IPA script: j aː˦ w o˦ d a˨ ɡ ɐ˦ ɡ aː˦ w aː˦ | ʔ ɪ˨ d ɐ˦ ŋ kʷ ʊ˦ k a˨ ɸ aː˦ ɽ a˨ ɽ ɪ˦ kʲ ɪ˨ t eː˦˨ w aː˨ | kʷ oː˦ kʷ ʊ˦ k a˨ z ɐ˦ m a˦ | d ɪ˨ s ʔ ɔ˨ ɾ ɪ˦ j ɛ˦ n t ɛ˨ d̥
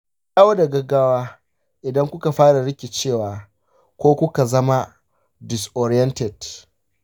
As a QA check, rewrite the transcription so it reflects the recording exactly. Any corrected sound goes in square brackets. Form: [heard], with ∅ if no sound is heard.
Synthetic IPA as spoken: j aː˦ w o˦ d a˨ ɡ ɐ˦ ɡ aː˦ w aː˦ | ʔ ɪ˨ d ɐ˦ ŋ kʷ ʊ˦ k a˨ ɸ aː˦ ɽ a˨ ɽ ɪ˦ kʲ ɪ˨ [t͡ʃ] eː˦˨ w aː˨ | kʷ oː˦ kʷ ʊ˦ k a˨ z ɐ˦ m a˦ | d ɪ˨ s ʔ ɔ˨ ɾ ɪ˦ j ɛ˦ n t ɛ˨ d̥